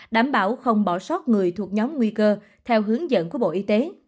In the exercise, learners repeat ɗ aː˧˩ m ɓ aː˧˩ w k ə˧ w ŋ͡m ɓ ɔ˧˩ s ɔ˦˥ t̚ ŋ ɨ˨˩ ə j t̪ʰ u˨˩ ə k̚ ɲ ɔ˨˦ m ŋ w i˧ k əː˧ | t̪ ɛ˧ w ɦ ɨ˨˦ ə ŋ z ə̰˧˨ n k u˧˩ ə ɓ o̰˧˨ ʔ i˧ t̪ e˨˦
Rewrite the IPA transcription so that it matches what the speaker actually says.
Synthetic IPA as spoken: ɗ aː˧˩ m ɓ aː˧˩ w x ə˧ w ŋ͡m ɓ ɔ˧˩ s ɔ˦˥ t̚ ŋ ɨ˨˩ ə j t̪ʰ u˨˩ ə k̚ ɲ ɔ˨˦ m ŋ w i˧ k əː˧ | t̪ʰ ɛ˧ w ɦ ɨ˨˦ ə ŋ z ə̰˧˨ n k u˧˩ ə ɓ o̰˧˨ ʔ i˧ t̪ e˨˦